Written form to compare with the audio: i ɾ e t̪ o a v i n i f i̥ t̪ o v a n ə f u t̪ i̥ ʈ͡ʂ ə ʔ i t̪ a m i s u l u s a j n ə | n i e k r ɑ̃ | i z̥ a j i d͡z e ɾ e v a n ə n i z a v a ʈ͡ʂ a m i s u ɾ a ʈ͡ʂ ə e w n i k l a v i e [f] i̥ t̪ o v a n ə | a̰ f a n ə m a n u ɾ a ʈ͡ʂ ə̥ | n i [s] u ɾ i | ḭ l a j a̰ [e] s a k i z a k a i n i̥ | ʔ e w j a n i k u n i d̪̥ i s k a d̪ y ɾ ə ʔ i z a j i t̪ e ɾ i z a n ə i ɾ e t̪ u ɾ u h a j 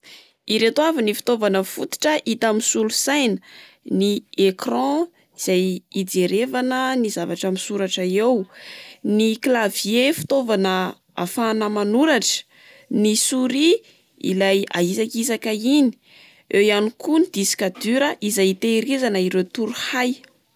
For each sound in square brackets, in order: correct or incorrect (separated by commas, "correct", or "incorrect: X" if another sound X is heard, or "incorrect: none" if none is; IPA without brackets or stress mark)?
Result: correct, correct, incorrect: i